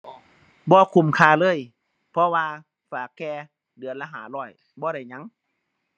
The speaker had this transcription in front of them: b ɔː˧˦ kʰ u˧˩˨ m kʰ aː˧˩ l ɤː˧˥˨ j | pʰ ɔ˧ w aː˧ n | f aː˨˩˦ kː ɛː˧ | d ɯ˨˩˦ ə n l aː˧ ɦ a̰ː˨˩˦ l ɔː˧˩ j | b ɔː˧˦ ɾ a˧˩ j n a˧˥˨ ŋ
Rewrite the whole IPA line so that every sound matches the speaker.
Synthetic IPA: b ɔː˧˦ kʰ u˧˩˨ m kʰ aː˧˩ l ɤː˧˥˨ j | pʰ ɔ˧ w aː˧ | f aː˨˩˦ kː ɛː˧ | d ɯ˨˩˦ ə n l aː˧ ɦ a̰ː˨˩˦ l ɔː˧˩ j | b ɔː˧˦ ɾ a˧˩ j ɲ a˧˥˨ ŋ